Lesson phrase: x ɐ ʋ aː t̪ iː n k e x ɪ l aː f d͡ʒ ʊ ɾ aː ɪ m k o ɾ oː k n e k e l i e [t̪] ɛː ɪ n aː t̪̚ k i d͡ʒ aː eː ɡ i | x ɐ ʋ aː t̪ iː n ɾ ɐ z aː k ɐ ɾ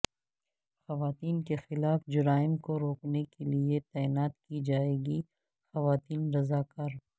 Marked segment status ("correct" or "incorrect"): correct